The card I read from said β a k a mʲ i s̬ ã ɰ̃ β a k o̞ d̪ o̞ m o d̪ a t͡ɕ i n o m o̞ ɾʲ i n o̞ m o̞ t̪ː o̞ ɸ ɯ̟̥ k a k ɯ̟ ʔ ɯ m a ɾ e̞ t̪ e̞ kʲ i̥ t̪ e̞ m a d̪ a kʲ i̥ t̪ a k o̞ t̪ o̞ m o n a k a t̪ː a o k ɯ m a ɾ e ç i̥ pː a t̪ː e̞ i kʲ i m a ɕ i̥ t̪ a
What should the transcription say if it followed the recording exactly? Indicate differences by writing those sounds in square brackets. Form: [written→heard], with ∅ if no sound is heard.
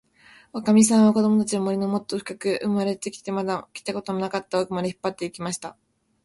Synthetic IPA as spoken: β a k a mʲ i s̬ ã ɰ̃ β a k o̞ d̪ o̞ m o [d̪→t̪] a t͡ɕ i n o m o̞ ɾʲ i n o̞ m o̞ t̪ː o̞ ɸ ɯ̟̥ k a k ɯ̟ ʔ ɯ m a ɾ e̞ t̪ e̞ kʲ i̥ t̪ e̞ m a d̪ a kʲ i̥ t̪ a k o̞ t̪ o̞ m o n a k a t̪ː a o k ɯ m a ɾ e ç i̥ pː a t̪ː e̞ i kʲ i m a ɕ i̥ t̪ a